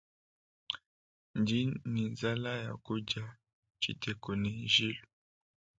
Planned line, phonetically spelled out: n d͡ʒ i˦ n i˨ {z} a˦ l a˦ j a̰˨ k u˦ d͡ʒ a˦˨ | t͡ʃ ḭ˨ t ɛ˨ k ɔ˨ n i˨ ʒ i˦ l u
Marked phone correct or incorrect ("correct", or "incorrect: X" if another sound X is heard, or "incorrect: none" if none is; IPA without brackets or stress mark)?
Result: correct